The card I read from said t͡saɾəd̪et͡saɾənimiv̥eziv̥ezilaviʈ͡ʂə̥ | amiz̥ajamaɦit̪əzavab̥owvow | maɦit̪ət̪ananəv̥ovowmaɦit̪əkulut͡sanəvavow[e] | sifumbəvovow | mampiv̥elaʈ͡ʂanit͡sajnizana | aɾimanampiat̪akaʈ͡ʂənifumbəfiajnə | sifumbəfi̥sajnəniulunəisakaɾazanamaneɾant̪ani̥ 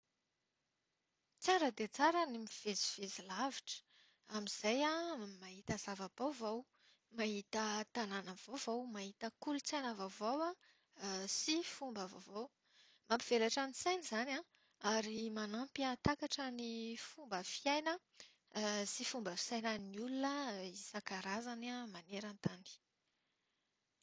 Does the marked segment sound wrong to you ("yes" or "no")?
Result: yes